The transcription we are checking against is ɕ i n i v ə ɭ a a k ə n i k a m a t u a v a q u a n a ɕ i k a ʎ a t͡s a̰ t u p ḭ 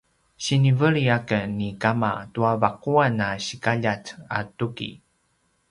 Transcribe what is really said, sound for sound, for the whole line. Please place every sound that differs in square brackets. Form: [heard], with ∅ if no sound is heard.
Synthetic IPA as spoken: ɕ i n i v ə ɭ [i] a k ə n i k a m a t u a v a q u a n a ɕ i k a ʎ a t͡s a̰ t u [k] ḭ